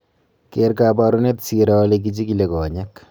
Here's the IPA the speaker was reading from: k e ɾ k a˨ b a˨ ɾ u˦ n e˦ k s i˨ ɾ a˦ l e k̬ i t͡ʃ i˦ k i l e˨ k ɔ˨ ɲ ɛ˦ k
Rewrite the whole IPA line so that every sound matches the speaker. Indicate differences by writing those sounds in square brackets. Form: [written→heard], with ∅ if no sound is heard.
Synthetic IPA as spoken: k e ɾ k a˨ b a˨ ɾ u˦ n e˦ [k→t] s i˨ ɾ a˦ l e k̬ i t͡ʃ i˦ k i l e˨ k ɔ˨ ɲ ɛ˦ k

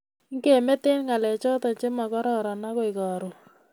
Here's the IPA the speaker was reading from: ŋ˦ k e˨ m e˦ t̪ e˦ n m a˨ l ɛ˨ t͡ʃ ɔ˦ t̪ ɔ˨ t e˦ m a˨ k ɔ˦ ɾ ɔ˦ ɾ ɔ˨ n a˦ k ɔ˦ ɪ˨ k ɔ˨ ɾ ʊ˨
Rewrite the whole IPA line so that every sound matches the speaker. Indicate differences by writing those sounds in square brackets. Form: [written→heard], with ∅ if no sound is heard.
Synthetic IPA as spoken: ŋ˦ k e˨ m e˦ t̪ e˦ n [m→ŋ] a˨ l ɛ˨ t͡ʃ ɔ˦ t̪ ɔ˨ [t→t͡ʃ] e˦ m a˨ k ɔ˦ ɾ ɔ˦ ɾ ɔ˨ n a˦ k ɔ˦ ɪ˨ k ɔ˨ ɾ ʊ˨

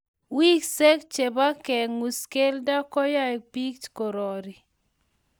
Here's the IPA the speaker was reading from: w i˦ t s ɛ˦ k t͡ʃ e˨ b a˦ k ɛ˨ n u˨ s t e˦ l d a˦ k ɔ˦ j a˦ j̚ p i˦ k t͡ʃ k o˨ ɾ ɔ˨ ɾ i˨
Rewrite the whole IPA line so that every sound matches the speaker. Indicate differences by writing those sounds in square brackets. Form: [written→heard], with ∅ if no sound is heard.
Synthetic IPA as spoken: w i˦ [t→k] s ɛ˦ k t͡ʃ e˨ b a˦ k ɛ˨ [n→ŋ] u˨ s [t→k] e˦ l d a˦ k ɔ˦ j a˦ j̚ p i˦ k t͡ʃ k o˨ ɾ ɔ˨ ɾ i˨

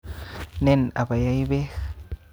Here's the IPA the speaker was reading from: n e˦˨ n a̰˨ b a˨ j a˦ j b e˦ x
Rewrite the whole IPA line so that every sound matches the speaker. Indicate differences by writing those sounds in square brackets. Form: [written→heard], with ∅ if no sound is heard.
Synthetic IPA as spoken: n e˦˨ n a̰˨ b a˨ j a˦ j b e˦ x

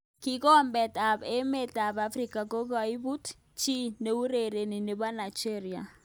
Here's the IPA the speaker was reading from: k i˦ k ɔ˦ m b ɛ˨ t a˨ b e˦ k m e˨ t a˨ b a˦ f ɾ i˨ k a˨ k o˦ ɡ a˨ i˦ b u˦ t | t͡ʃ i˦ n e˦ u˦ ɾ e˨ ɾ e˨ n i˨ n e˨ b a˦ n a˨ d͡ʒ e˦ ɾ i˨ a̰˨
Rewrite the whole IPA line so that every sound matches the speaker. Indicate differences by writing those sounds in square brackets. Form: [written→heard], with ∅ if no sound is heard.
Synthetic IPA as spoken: k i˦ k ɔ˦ m b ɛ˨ t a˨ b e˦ [k→∅] m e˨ t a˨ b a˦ f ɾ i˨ k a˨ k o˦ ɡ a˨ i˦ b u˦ t | t͡ʃ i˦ n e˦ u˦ ɾ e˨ ɾ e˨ n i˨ n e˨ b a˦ n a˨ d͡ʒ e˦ ɾ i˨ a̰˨

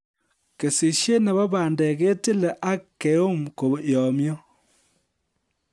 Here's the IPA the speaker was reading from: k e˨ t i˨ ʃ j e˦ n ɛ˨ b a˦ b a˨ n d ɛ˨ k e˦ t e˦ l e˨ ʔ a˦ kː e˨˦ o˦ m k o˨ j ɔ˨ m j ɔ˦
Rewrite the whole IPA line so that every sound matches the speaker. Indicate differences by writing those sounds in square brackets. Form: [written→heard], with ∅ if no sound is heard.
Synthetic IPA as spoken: k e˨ [t→s] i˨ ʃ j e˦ n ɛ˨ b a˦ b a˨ n d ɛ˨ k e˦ t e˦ l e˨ ʔ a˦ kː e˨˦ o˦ m k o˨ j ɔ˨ m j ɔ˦

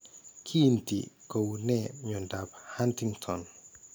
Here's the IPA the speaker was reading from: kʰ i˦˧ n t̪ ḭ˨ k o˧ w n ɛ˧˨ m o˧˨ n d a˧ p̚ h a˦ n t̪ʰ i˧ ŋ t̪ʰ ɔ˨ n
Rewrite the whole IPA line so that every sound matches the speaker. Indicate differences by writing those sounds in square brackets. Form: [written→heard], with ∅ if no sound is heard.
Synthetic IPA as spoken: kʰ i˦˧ n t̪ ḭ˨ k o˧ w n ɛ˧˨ [m→ɲ] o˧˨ n d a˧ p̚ h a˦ n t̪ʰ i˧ ŋ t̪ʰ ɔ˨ n

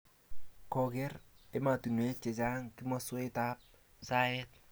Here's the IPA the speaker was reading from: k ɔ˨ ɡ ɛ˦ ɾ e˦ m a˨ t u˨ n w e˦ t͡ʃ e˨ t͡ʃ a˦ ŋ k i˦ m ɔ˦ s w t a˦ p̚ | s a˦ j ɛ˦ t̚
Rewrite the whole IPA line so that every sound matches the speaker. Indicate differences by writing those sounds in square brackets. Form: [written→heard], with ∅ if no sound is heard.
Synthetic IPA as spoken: k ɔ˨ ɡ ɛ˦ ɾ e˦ m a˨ t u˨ n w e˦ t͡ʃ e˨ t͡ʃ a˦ ŋ k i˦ m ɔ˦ s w t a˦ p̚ | s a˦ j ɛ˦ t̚

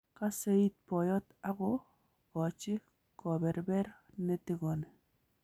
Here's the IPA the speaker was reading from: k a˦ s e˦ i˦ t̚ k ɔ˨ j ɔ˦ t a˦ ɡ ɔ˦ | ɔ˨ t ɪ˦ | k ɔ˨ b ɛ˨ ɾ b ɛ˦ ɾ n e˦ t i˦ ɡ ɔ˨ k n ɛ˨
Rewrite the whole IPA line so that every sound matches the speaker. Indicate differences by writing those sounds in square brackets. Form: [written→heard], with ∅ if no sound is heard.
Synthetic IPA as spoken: k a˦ s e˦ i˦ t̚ [k→p] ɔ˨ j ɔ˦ t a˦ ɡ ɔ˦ | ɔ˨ [t→t͡ʃ] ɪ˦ | k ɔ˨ b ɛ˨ ɾ b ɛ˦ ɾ n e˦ t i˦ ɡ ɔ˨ [k→∅] n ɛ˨

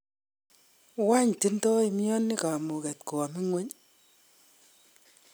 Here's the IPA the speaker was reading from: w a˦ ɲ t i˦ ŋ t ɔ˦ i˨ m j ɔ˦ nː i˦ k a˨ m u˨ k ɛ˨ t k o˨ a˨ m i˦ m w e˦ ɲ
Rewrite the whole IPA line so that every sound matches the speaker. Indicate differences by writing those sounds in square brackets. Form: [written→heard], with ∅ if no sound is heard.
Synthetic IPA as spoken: w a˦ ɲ t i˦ [ŋ→n] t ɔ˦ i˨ m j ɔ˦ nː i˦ k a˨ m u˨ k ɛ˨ t k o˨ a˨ m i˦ [m→ŋ] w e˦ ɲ

